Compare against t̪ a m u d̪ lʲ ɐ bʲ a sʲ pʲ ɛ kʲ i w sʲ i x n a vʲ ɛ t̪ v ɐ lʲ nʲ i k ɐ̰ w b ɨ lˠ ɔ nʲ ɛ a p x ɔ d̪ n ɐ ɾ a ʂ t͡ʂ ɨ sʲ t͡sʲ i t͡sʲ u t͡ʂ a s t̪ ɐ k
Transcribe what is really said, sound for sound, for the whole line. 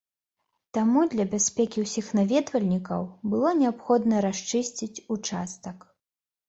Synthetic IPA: t̪ a m u d̪ lʲ ɐ bʲ a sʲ pʲ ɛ kʲ i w sʲ i x n a vʲ ɛ d̪ v ɐ lʲ nʲ i k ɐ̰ w b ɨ lˠ ɔ nʲ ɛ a p x ɔ d̪ n ɐ ɾ a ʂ t͡ʂ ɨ sʲ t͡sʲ i t͡sʲ u t͡ʂ a s t̪ ɐ k